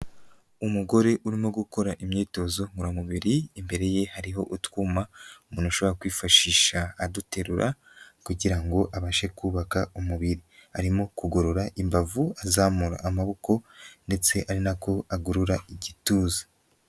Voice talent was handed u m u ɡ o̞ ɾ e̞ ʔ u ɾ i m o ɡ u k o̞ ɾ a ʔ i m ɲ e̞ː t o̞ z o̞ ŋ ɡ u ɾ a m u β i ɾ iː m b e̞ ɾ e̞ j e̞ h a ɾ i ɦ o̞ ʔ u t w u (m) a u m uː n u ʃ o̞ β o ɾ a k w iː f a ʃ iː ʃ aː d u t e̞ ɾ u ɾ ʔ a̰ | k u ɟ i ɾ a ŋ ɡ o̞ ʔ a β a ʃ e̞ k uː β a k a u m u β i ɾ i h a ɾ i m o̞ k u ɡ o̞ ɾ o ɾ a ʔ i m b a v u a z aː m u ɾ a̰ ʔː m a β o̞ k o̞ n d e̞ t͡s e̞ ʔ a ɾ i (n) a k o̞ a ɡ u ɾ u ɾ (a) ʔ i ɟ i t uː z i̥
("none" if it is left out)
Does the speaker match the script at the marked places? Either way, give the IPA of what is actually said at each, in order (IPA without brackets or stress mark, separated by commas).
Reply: m, n, a